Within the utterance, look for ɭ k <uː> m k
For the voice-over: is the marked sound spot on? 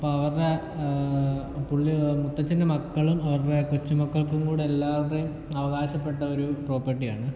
no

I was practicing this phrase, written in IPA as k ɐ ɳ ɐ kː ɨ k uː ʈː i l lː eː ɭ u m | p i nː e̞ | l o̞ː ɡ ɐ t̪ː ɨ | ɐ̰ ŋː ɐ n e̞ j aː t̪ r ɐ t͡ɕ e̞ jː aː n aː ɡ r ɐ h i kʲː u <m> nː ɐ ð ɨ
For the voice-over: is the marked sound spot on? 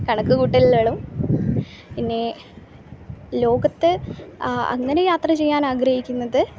no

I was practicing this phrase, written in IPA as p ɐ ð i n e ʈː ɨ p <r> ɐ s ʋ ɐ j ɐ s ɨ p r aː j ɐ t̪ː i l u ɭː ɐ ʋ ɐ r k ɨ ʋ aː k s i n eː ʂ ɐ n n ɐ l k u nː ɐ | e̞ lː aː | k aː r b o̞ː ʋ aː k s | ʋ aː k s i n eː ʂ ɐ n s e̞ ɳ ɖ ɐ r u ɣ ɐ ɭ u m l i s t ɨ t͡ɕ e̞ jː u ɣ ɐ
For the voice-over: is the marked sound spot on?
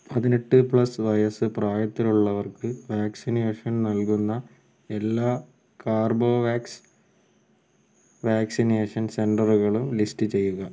no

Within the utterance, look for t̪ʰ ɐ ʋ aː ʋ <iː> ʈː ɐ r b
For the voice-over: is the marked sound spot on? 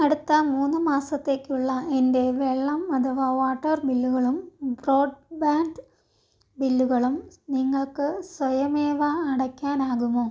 no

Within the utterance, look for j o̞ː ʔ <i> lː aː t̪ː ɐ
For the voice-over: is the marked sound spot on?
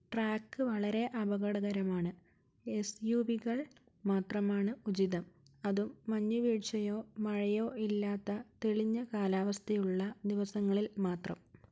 yes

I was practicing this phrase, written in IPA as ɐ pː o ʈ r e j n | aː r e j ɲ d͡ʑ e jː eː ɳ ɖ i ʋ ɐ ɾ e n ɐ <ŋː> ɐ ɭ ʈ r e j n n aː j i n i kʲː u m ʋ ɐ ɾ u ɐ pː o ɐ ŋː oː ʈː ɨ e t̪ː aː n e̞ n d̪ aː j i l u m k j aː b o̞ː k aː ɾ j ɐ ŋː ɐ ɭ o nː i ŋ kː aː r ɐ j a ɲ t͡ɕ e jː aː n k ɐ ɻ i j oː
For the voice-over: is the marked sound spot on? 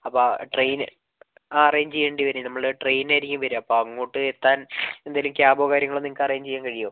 no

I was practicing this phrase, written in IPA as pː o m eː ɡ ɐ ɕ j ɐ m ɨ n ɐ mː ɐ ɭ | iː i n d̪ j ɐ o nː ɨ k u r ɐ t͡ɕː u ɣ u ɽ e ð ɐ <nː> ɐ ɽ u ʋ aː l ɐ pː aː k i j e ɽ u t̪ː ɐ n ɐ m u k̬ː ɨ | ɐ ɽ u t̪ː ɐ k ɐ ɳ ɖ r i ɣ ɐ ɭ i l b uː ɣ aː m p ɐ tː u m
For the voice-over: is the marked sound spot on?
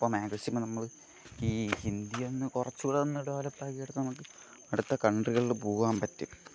yes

